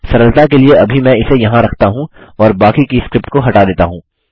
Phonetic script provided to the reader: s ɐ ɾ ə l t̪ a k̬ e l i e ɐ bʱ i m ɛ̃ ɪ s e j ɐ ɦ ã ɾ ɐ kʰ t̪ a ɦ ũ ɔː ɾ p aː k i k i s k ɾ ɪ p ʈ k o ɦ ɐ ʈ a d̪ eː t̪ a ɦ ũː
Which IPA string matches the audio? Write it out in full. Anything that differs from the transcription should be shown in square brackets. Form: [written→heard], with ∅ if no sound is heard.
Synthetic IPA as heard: s ɐ ɾ ə l t̪ a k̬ e l i e ɐ bʱ i m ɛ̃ ɪ s e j ɐ ɦ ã ɾ ɐ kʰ t̪ a ɦ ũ ɔː ɾ [p→b] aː k i k i s k ɾ ɪ p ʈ k o ɦ ɐ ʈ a d̪ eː t̪ a ɦ ũː